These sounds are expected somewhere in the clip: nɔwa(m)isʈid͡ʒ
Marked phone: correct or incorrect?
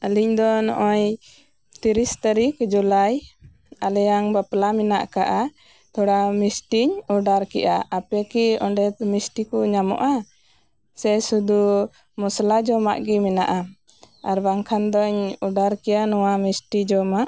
correct